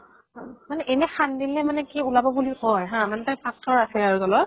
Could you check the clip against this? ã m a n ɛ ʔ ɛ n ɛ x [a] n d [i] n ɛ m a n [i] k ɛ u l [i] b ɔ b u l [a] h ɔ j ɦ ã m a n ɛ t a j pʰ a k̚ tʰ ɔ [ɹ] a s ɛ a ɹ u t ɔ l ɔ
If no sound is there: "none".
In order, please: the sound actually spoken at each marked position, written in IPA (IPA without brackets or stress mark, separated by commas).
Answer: a, i, ɛ, a, i, ɹ